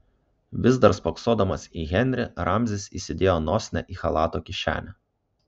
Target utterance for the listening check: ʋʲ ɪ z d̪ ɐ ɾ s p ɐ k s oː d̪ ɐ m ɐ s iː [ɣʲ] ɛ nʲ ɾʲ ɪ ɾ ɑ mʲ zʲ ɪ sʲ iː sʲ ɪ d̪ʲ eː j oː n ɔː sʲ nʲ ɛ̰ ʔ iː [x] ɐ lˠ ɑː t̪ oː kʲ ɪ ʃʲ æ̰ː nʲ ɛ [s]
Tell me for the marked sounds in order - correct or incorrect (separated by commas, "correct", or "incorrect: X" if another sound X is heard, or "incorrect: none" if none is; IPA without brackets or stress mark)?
correct, correct, incorrect: none